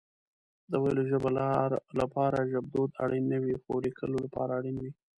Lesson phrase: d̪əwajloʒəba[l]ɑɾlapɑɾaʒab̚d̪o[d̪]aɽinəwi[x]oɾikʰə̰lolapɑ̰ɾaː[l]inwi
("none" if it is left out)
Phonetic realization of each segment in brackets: l, d̪, x, ɽ

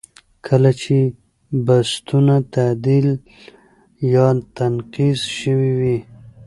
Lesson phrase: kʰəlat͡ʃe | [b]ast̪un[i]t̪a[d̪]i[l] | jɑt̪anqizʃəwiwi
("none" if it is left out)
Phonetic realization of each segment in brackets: b, a, d̪, l

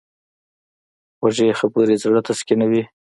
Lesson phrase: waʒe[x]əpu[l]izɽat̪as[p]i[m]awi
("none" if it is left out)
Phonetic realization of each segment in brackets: x, ɾ, k, n

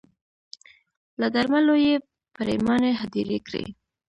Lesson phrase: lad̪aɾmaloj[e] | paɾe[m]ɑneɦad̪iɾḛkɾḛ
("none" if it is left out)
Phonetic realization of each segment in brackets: e, m

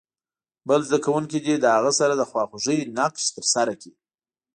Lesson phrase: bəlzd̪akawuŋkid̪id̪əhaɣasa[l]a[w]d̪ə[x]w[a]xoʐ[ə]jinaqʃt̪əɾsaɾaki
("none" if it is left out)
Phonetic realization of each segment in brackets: ɾ, none, x, ɑ, ə

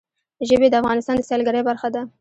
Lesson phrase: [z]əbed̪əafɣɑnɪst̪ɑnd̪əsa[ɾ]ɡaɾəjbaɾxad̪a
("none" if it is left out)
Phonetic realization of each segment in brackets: ʒ, l

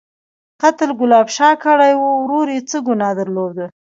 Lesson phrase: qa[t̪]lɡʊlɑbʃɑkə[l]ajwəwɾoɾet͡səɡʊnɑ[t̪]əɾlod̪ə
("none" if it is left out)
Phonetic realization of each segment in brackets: t̪, ɽ, d̪

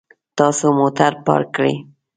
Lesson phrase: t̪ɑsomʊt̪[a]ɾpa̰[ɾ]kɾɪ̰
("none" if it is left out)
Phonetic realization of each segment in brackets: a, ɾ

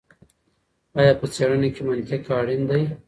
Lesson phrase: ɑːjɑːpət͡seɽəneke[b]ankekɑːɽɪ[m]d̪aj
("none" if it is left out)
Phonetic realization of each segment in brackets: m, n

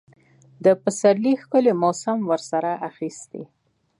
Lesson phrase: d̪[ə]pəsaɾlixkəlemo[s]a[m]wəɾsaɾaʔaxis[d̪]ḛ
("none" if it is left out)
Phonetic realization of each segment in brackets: ə, s, m, t̪

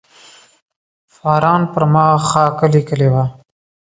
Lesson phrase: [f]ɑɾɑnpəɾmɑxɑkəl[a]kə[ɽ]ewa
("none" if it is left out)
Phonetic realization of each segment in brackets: f, i, l

